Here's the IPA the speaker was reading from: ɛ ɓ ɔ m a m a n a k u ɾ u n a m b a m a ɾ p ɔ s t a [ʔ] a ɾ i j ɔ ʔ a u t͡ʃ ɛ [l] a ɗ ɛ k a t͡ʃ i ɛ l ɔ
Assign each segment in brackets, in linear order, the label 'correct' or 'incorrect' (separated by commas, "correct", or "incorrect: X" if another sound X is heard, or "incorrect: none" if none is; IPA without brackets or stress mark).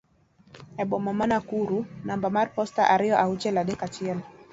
correct, correct